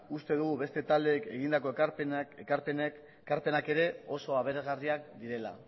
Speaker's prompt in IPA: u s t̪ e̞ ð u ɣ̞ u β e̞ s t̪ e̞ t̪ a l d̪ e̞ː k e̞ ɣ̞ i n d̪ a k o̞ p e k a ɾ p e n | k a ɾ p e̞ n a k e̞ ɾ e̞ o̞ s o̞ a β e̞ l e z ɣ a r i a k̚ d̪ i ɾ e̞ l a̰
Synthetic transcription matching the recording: u s t̪ e̞ ð u ɣ̞ u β e̞ s t̪ e̞ t̪ a l d̪ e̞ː k e̞ ɣ̞ i n d̪ a k o̞ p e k a ɾ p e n | k a ɾ p e̞ n a k e̞ ɾ e̞ o̞ s o̞ a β e̞ ɾ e z ɣ a r i a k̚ d̪ i ɾ e̞ l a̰